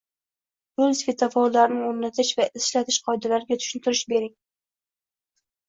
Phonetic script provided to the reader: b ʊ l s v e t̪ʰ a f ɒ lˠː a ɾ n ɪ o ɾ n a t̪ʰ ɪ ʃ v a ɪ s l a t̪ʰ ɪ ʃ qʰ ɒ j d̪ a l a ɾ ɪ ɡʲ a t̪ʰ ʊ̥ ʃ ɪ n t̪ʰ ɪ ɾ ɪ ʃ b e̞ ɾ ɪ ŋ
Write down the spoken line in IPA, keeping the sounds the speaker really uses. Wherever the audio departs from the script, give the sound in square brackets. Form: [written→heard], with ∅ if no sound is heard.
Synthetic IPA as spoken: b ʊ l s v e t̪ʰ a f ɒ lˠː a ɾ n ɪ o ɾ n a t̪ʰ ɪ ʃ v a ɪ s l a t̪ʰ ɪ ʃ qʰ ɒ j d̪ a l a ɾ ɪ ɡʲ a t̪ʰ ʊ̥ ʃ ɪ n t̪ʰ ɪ ɾ ɪ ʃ b e̞ ɾ ɪ ŋ